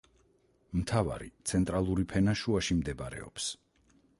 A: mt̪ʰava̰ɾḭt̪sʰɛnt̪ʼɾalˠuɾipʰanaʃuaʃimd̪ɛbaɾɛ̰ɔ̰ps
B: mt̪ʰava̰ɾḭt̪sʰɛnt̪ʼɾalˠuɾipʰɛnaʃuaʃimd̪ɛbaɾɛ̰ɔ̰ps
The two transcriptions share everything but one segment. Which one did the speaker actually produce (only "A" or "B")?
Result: B